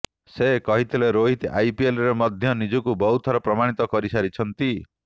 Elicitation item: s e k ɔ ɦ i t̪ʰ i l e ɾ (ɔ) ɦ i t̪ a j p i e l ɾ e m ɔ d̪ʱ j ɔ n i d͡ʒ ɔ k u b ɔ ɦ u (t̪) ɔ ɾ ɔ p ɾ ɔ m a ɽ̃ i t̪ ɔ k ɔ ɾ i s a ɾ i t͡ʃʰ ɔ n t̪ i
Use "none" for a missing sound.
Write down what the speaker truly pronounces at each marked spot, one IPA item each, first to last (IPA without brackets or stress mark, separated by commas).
o, t̪ʰ